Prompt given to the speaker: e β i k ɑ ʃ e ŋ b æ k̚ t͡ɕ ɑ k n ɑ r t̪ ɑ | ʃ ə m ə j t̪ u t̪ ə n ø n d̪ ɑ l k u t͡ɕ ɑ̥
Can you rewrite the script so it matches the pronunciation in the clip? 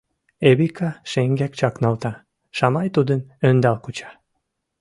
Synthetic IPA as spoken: e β i k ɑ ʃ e ŋ ɡ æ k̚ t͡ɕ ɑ k n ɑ l t̪ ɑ | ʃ ɑ m ɑ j t̪ u d̪ ə n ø n d̪ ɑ l k u t͡ɕ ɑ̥